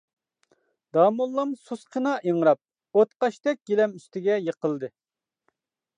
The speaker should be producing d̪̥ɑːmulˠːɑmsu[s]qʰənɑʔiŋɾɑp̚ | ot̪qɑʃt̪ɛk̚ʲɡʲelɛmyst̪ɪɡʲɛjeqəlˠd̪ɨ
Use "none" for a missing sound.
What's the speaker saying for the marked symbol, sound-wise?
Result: s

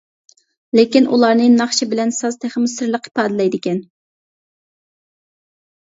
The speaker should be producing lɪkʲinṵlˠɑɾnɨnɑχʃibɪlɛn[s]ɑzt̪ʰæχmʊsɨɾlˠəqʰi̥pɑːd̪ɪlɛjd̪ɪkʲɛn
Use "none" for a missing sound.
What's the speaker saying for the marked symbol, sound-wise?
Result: s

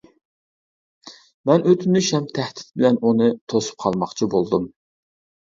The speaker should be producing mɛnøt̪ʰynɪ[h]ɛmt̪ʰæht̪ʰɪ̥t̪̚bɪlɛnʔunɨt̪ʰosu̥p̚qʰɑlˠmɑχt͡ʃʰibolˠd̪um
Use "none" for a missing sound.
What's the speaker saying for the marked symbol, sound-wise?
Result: ʃ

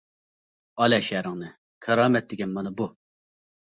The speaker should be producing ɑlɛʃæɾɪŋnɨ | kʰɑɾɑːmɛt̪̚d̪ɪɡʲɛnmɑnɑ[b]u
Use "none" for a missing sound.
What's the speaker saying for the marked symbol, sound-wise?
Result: b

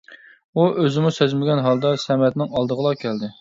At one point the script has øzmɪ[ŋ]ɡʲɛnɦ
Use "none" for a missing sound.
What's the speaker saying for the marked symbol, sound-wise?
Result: none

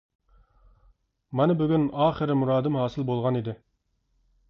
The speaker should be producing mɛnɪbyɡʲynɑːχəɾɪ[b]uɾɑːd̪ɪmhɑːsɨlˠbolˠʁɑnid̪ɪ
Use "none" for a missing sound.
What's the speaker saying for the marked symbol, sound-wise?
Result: m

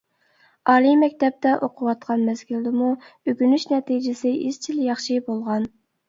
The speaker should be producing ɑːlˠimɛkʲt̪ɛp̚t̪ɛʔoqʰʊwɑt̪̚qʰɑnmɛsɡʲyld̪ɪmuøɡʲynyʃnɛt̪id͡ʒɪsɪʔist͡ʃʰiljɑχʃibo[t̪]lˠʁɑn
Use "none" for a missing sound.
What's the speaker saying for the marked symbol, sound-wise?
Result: none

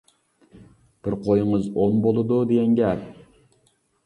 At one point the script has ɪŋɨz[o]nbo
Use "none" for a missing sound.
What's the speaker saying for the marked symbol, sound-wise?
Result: o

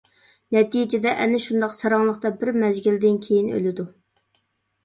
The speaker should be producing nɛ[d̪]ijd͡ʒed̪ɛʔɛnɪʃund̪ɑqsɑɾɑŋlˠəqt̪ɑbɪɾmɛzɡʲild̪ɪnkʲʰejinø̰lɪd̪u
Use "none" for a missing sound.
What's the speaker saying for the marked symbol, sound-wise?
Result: t̪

